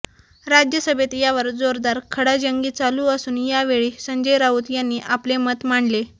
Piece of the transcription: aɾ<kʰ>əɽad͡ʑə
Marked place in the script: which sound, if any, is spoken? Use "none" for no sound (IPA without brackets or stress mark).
kʰ